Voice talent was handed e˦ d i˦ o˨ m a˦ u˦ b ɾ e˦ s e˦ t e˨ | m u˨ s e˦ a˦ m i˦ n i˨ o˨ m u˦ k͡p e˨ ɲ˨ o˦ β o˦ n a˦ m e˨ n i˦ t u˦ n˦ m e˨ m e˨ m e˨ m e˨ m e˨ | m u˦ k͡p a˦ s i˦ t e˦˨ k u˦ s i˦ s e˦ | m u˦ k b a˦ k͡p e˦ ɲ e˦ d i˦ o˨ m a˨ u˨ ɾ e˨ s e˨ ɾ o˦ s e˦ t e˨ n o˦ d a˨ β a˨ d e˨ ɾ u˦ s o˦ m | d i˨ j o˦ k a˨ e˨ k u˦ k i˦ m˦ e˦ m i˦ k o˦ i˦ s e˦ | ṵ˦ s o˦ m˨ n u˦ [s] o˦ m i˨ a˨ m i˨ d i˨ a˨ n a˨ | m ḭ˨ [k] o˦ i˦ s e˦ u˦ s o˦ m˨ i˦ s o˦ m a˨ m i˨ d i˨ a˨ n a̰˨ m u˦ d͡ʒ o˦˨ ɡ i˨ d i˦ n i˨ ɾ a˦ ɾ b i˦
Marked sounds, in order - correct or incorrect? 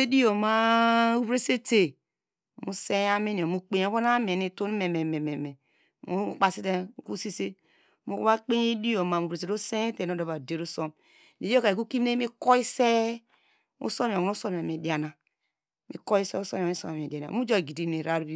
correct, correct

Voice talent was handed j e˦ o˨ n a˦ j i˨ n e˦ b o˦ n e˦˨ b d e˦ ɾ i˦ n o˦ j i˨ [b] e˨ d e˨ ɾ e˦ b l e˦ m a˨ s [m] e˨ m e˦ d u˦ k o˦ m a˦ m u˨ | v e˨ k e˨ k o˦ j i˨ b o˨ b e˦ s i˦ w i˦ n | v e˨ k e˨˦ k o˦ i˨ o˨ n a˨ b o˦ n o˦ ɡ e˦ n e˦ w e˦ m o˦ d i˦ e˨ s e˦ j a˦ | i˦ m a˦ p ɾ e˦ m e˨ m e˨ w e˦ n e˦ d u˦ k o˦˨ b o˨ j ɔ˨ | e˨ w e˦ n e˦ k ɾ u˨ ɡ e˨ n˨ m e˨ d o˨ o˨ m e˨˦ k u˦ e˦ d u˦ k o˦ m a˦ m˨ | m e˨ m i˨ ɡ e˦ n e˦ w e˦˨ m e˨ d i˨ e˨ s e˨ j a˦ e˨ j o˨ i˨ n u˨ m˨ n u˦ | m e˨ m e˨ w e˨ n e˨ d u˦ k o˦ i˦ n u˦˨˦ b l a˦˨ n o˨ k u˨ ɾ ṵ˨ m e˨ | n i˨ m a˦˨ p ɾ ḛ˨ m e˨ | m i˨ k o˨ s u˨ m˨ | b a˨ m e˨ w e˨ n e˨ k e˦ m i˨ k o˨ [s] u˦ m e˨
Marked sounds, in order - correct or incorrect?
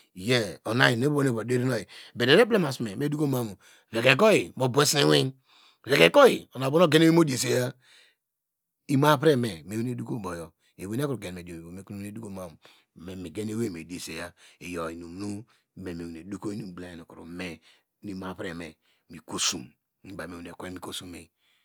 correct, correct, correct

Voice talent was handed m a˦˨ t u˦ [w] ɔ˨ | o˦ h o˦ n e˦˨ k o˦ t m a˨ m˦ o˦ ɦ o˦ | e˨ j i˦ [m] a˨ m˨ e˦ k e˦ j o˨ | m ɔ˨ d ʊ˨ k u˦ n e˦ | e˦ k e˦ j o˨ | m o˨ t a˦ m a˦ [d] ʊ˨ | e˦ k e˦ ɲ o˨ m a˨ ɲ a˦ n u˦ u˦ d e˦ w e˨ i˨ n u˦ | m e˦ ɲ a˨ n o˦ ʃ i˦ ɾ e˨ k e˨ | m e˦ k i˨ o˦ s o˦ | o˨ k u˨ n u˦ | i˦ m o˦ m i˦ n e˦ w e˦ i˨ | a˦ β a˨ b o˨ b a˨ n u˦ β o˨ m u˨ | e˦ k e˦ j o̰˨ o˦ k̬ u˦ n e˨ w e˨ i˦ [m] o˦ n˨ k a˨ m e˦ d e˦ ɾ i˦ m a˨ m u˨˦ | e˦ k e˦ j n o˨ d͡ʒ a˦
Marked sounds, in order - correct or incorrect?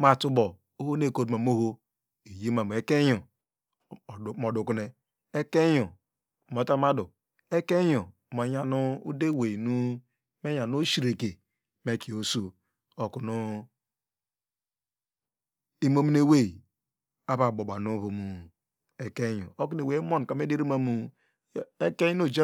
incorrect, correct, correct, correct

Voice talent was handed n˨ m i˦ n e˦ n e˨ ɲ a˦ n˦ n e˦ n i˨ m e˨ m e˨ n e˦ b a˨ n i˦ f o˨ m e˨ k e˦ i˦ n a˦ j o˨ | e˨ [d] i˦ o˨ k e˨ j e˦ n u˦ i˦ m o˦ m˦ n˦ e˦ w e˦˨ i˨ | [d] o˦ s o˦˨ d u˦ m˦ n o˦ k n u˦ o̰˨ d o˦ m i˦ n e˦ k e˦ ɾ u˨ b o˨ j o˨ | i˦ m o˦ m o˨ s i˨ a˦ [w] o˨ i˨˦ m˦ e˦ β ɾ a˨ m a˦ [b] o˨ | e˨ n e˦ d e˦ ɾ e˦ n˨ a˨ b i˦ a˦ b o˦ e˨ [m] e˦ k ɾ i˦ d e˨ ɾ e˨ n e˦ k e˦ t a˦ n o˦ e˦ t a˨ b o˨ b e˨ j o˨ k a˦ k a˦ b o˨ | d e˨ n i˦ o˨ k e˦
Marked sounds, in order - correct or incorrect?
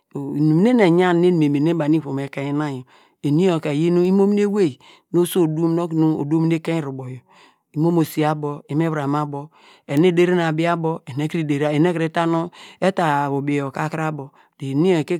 incorrect, incorrect, incorrect, correct, incorrect

